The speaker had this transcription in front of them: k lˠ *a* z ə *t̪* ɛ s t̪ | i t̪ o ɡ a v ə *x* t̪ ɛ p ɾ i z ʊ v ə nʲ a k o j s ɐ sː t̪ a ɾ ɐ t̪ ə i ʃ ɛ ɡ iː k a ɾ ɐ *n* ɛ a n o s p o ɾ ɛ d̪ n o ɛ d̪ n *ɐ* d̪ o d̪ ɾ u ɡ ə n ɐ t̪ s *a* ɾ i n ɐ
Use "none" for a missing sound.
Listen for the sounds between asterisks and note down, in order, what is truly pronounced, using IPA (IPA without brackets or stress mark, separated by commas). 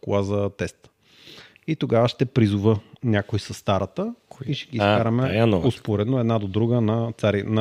a, t̪, ʃ, m, a, a